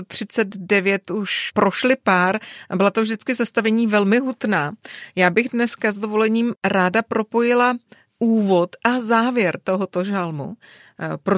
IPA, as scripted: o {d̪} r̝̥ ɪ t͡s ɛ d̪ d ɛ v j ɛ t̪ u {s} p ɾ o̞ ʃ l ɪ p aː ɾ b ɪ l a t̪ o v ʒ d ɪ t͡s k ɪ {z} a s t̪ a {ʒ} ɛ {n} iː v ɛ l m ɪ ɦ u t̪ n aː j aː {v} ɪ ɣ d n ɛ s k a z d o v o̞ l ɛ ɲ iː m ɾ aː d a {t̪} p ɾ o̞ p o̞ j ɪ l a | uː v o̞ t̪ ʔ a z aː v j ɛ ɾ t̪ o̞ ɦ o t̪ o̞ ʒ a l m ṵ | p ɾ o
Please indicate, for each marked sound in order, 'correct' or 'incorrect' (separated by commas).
incorrect, incorrect, correct, incorrect, incorrect, incorrect, incorrect